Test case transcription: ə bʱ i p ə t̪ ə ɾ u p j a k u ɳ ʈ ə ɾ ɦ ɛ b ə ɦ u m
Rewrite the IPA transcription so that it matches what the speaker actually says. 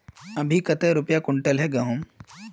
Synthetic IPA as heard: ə bʱ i k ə t̪ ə ɾ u p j a k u ɳ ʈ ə l ɦ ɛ ɡ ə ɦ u m